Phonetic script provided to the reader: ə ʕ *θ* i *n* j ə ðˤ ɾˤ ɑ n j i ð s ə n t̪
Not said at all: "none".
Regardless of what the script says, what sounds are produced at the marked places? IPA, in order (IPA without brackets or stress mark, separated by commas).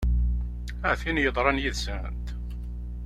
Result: θ, n